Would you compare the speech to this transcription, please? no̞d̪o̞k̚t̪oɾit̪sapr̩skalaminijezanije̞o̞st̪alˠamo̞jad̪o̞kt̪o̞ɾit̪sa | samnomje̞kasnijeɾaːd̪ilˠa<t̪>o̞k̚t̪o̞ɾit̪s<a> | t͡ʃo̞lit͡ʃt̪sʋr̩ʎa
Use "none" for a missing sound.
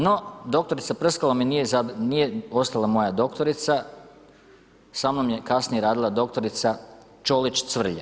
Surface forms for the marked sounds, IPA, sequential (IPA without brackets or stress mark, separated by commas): d̪, a